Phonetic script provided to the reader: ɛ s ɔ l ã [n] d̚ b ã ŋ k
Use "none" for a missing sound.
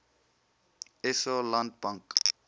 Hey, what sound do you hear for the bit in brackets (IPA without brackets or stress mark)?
n